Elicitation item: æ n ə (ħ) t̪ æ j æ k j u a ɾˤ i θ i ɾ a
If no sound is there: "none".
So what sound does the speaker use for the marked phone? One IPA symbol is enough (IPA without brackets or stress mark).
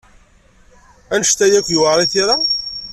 ʃ